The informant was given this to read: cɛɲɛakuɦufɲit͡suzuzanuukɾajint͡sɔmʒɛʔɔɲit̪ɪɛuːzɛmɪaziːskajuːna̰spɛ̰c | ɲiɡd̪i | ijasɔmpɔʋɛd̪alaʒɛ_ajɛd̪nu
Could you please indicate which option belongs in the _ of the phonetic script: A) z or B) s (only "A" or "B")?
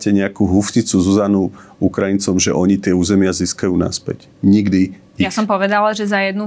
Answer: A